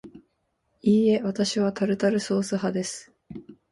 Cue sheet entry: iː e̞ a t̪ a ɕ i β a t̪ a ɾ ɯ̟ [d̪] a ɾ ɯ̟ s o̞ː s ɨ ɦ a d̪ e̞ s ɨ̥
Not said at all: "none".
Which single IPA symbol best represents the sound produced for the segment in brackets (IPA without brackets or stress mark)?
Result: t̪